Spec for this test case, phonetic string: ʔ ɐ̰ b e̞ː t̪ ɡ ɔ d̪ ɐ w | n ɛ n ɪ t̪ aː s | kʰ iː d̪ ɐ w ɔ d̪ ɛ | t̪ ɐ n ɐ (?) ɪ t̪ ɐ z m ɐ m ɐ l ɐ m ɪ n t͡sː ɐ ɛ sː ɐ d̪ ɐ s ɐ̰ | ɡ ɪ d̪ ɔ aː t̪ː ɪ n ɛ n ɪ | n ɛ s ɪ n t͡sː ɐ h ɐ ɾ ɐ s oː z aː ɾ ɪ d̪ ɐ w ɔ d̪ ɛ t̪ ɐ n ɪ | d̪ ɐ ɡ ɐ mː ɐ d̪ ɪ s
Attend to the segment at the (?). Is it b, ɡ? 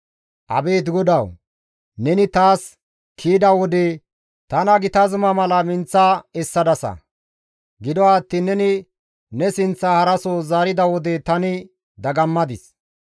ɡ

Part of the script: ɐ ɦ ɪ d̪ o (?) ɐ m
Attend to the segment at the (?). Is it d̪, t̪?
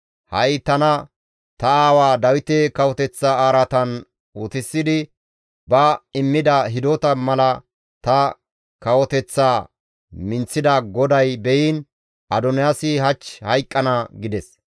t̪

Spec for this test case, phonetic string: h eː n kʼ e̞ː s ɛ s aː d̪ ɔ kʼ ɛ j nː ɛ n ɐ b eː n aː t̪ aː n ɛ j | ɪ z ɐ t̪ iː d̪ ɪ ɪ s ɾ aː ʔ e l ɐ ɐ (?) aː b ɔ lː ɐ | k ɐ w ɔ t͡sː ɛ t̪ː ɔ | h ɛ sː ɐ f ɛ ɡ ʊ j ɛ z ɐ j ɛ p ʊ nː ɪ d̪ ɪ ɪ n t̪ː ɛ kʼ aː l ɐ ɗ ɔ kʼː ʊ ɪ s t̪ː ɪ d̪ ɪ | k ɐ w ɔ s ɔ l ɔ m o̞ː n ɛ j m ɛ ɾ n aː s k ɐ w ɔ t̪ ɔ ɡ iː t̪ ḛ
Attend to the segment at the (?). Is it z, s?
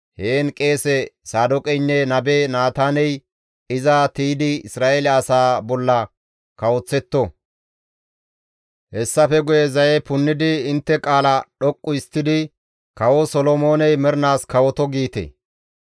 s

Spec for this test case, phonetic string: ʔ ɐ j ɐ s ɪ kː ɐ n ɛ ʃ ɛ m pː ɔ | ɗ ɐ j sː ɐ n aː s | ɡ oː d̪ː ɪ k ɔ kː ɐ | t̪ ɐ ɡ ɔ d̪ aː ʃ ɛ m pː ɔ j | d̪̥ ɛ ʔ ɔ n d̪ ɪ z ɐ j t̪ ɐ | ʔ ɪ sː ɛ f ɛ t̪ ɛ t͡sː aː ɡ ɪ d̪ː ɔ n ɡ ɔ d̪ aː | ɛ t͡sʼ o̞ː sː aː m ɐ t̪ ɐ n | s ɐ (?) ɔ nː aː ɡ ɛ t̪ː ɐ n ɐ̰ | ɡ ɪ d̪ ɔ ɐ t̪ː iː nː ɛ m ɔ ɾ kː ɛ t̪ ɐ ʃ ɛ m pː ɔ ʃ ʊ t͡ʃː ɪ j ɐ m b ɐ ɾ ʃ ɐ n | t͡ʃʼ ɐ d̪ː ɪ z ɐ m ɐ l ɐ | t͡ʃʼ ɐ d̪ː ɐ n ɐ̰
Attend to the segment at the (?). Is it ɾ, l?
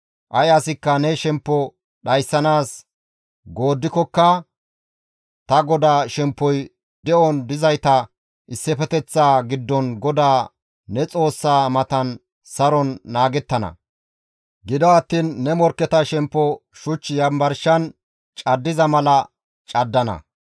ɾ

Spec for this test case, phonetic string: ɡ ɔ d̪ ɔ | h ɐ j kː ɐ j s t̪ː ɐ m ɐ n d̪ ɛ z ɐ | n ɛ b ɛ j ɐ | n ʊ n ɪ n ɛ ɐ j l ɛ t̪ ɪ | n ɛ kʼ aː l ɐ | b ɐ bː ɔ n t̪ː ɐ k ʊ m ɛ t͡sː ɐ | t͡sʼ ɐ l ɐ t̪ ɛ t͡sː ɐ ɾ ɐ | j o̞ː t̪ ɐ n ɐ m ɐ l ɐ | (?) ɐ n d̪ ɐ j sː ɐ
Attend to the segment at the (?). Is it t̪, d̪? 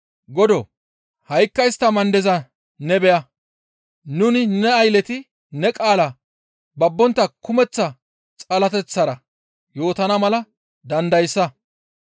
d̪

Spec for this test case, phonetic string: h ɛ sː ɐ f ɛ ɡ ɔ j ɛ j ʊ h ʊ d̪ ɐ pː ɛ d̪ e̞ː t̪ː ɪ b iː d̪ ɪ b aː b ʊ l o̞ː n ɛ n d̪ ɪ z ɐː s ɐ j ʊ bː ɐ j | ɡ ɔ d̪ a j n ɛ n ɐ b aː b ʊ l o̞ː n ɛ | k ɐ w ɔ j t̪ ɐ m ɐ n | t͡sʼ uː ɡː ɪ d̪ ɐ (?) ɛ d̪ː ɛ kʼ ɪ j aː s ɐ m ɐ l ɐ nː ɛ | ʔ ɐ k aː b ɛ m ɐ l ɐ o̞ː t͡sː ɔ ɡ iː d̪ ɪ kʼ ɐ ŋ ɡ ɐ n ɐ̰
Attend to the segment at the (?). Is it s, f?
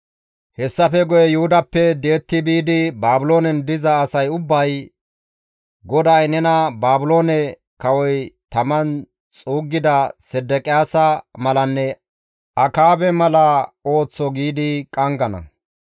s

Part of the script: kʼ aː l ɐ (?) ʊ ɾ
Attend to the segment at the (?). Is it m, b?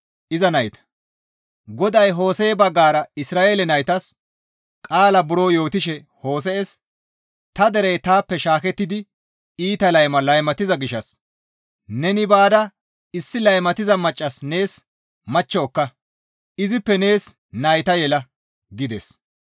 b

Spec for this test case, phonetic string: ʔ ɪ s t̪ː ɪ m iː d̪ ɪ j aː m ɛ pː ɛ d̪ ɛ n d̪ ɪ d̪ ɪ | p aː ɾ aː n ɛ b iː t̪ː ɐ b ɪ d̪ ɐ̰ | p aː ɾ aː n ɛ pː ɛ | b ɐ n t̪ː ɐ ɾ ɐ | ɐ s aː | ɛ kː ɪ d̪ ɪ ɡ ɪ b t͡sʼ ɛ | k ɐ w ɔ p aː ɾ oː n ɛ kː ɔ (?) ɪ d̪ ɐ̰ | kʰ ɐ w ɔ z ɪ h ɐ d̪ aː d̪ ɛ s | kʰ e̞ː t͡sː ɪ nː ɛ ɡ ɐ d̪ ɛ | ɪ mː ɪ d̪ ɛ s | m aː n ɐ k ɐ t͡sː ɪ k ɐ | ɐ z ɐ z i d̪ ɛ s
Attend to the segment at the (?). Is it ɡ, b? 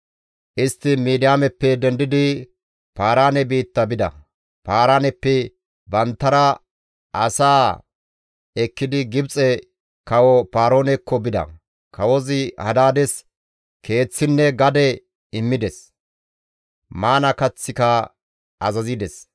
b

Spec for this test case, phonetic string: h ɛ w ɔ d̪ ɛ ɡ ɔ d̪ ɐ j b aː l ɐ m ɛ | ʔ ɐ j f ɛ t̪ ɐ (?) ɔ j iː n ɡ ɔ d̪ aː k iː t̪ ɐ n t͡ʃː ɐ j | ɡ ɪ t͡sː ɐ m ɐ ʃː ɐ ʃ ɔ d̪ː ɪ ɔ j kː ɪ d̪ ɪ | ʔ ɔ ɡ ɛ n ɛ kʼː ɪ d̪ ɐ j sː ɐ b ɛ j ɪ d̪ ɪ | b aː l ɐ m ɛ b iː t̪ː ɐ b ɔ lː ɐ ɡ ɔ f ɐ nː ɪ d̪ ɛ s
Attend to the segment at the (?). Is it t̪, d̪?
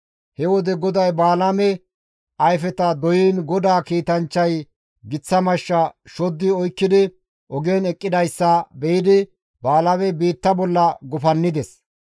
d̪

